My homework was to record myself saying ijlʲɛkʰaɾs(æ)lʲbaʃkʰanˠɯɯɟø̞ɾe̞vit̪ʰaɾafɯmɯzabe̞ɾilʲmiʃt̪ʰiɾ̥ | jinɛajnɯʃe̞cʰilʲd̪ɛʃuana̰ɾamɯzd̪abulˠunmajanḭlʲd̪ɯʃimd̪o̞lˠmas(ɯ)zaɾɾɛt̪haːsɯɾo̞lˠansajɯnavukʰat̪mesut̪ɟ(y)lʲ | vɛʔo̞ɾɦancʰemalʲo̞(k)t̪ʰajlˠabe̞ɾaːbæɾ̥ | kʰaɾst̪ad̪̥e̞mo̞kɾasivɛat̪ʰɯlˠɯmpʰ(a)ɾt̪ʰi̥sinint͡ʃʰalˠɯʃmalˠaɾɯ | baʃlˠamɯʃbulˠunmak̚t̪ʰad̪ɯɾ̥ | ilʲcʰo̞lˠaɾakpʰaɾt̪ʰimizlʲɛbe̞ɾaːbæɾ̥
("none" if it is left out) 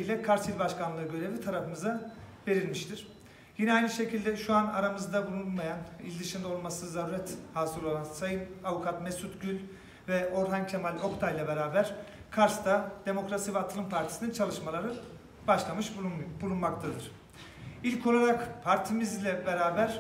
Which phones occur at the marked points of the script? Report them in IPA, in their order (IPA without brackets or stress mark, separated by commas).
i, ɯ, y, k, a